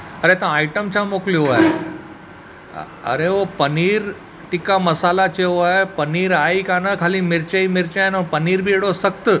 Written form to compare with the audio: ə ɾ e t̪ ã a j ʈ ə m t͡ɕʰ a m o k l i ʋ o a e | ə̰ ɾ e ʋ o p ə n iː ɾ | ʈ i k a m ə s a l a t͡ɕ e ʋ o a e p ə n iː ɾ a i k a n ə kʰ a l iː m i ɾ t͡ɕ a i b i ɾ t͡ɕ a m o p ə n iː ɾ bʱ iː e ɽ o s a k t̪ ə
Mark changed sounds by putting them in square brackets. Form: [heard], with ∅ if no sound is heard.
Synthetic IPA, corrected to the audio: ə ɾ e t̪ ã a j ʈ ə m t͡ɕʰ a m o k l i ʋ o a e | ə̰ ɾ e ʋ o p ə n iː ɾ | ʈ i k a m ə s a l a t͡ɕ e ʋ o a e p ə n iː ɾ a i k a n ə kʰ a l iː m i ɾ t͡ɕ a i [m] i ɾ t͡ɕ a [n] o p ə n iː ɾ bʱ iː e ɽ o s [ə] k t̪ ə